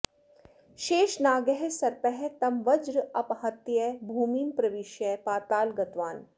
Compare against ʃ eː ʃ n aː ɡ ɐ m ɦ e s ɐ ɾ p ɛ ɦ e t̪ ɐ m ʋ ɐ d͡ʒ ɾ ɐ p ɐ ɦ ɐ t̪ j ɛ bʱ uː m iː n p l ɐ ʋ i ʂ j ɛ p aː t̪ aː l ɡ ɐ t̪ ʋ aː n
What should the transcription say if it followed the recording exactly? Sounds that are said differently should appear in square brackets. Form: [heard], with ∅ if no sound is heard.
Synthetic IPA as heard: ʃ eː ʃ n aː ɡ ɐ [∅] ɦ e s ɐ ɾ p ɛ ɦ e t̪ ɐ m ʋ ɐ d͡ʒ ɾ ɐ p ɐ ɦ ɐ t̪ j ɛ bʱ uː m iː n p [ɾ] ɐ ʋ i [ʃ] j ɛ p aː t̪ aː l ɡ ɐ t̪ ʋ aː n